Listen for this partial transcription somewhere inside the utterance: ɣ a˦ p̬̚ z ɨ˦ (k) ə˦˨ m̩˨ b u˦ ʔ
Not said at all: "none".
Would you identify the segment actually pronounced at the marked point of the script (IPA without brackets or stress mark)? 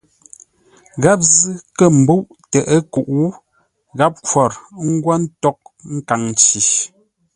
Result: k